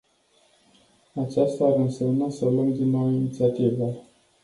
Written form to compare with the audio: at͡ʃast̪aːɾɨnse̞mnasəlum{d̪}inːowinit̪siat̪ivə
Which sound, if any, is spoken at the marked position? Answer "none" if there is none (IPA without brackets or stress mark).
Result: d̪